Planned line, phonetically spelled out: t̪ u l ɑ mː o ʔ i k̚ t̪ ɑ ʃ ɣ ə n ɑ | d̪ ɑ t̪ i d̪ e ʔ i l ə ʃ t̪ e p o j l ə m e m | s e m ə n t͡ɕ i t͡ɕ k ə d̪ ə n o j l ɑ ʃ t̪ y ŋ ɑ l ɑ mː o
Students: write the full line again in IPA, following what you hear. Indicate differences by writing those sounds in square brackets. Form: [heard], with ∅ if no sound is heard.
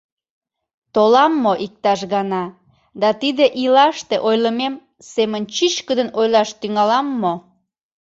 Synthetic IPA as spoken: t̪ [o] l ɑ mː o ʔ i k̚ t̪ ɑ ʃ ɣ [ɑ] n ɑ | d̪ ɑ t̪ i d̪ e ʔ i l [ɑ] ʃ t̪ e [ʔ] o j l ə m e m | s e m ə n t͡ɕ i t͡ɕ k ə d̪ ə n o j l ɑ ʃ t̪ y ŋ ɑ l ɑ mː o